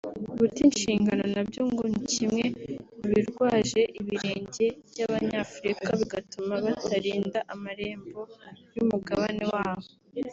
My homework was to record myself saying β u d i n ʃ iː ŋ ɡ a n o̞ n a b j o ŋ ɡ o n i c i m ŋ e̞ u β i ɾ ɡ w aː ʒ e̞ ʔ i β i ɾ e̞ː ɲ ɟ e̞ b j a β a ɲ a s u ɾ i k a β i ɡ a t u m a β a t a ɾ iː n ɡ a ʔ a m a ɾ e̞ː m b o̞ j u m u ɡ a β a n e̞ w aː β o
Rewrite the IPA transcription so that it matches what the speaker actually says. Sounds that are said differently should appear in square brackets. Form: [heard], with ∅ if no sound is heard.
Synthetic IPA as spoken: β u [t] i n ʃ iː ŋ ɡ a n o̞ n a b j o ŋ ɡ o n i c i m ŋ e̞ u β i ɾ ɡ w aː ʒ e̞ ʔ i β i ɾ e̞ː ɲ ɟ e̞ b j a β a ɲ a [f] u ɾ i k a β i ɡ a t u m a β a t a ɾ iː n [d] a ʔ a m a ɾ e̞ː m b o̞ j u m u ɡ a β a n e̞ w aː β o